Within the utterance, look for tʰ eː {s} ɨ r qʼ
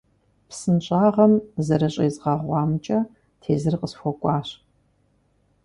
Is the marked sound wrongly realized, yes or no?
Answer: yes